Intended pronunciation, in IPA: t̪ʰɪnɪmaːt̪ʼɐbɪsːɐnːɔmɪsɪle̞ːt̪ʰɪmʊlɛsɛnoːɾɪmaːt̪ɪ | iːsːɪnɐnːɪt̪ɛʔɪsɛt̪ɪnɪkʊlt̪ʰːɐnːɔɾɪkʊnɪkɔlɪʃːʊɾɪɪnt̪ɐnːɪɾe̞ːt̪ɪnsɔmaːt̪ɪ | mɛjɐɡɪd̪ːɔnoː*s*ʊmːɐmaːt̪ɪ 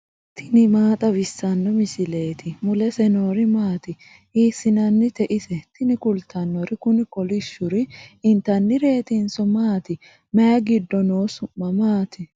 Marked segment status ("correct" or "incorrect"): correct